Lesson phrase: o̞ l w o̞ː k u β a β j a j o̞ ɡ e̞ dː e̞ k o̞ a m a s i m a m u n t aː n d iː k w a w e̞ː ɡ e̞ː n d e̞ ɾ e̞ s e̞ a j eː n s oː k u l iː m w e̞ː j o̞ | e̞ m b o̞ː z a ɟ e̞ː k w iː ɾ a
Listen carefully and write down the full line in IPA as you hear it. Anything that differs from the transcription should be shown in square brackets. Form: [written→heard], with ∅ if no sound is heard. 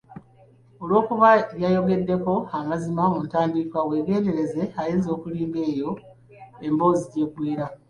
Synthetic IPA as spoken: o̞ l w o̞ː k u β a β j a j o̞ ɡ e̞ dː e̞ k o̞ a m a [s→z] i m a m u n t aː n d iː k w a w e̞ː ɡ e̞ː n d e̞ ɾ e̞ [s→z] e̞ a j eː n [s→z] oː k u l iː m [w→b] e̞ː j o̞ | e̞ m b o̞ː z [a→i] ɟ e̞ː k w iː ɾ a